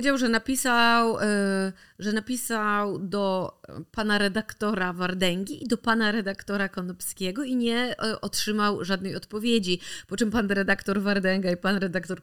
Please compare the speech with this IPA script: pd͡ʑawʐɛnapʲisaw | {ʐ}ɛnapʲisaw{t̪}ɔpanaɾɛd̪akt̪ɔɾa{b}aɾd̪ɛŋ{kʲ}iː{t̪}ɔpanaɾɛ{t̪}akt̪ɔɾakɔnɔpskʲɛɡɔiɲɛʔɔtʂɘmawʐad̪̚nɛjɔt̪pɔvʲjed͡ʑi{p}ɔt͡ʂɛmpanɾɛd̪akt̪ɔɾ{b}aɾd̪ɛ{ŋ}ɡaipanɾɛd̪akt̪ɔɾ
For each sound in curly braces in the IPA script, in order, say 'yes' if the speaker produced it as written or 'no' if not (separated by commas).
yes, no, no, no, no, no, yes, no, yes